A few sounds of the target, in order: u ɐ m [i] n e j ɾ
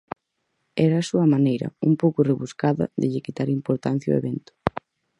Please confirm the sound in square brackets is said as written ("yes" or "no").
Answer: no